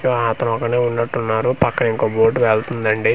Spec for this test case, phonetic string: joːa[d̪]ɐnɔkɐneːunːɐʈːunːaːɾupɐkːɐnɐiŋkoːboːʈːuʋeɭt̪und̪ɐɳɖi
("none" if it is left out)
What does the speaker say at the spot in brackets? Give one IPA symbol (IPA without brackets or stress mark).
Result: t̪